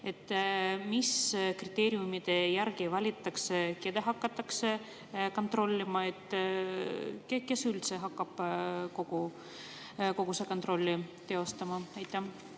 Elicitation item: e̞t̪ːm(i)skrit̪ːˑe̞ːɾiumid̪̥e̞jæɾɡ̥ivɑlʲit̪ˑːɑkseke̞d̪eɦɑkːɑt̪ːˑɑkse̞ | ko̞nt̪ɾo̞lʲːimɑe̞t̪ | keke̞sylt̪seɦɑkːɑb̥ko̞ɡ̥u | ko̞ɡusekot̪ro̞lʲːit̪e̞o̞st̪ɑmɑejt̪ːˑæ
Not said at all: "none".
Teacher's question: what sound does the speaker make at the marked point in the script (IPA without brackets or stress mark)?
i